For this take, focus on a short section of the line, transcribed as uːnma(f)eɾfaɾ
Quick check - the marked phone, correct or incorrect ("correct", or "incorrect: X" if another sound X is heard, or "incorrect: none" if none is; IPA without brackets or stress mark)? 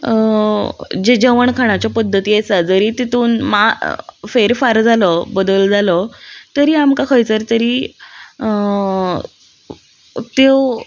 correct